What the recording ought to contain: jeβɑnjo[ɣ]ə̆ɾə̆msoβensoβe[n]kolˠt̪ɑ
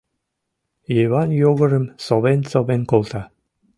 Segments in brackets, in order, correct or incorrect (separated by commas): correct, correct